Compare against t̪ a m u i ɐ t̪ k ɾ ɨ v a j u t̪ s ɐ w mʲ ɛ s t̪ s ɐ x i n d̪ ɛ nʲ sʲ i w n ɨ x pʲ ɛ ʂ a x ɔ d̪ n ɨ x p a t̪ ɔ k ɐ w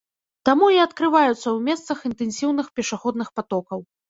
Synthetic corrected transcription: t̪ a m u i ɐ t̪ k ɾ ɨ v a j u t̪ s ɐ w mʲ ɛ s t̪ s ɐ x i n t̪ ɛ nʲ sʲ i w n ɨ x pʲ ɛ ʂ a x ɔ d̪ n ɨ x p a t̪ ɔ k ɐ w